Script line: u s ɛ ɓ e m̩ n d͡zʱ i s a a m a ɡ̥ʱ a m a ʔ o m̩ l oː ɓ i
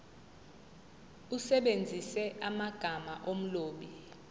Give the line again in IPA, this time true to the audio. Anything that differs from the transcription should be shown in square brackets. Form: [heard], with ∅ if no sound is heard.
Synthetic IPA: u s ɛ ɓ e [∅] n d͡zʱ i s [ɛ] a m a ɡ̥ʱ a m a ʔ o m̩ l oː ɓ i